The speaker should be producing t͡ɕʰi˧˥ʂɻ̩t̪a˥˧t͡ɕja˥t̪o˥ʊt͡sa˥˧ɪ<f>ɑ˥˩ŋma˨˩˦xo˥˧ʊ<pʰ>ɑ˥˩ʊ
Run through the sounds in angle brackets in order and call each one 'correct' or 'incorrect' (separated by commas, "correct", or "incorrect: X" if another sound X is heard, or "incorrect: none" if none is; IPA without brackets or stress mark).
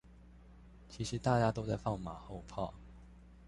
correct, correct